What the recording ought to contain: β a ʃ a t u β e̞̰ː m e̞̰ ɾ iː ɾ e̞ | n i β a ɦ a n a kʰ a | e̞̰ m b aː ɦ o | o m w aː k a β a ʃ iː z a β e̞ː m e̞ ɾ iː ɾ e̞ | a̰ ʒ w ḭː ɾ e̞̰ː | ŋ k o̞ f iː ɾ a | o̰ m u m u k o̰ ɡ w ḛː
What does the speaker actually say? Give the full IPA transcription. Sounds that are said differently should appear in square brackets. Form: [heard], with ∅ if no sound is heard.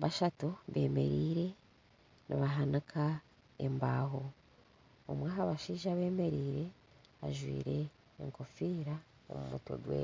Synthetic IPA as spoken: β a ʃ a t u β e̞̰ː m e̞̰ ɾ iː ɾ e̞ | n i β a ɦ a n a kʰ a | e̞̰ m b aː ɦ o | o m w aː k a β a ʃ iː [ʒ] a β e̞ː m e̞ ɾ iː ɾ e̞ | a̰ ʒ w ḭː ɾ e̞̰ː | ŋ k o̞ f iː ɾ a | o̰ m u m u [t] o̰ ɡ w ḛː